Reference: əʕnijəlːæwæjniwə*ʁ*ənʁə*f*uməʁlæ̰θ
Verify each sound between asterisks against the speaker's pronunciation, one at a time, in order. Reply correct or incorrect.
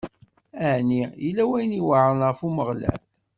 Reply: incorrect: ʕ, correct

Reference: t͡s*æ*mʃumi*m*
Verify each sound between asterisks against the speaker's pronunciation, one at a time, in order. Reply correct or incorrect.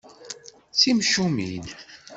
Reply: incorrect: i, incorrect: n

